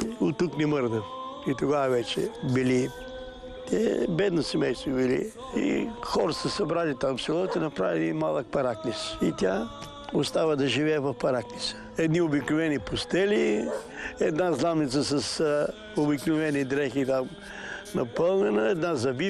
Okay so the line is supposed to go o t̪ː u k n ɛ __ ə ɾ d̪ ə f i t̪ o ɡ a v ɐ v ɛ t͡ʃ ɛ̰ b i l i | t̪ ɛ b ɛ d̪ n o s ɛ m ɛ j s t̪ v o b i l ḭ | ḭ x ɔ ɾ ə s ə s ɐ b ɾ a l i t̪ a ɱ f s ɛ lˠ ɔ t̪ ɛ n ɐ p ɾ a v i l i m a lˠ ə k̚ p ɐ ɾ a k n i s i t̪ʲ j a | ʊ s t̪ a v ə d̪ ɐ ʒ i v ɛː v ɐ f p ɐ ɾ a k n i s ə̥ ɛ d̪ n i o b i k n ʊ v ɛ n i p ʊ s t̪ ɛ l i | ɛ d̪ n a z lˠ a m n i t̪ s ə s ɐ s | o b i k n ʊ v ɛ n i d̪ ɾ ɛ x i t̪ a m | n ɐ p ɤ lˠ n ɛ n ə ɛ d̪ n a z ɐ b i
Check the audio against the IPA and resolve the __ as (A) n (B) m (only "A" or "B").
B